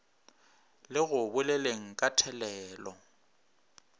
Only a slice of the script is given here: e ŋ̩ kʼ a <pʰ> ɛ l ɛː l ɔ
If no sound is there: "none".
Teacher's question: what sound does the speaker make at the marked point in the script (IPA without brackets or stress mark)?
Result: tʰ